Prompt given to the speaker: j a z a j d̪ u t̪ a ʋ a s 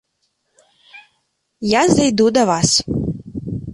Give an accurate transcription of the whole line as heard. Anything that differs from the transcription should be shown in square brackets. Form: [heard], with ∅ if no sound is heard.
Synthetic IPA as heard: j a z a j d̪ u [d̪] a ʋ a s